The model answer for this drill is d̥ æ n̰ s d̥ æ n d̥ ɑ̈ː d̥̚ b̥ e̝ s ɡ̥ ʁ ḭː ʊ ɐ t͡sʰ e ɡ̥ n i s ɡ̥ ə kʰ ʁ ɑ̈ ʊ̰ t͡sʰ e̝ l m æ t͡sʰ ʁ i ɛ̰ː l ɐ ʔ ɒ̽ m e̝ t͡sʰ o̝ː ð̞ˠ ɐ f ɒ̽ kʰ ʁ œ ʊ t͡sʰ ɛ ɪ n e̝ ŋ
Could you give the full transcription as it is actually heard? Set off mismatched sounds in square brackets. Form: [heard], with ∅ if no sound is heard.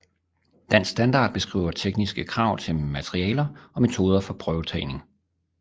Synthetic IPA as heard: d̥ æ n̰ s d̥ æ n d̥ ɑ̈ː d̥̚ b̥ e̝ s ɡ̥ ʁ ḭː ʊ ɐ t͡sʰ e ɡ̥ n i s ɡ̥ ə kʰ ʁ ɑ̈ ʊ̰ t͡sʰ e̝ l m æ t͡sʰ ʁ i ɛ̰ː l ɐ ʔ ɒ̽ m e̝ t͡sʰ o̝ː ð̞ˠ ɐ f ɒ̽ [pʰ] ʁ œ ʊ t͡sʰ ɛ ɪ n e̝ ŋ